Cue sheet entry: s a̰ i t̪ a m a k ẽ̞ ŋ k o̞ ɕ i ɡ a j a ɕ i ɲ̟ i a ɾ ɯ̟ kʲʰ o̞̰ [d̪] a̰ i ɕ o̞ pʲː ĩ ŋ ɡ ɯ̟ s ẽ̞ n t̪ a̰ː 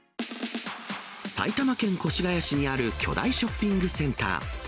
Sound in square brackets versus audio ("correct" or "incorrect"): correct